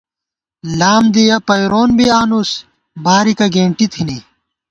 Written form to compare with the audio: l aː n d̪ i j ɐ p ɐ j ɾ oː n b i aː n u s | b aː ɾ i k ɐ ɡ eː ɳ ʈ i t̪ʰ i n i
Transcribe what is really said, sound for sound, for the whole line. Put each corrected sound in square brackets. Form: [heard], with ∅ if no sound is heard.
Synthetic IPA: l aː [m] d̪ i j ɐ p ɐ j ɾ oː n b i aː n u s | b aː ɾ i k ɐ ɡ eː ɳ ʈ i t̪ʰ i n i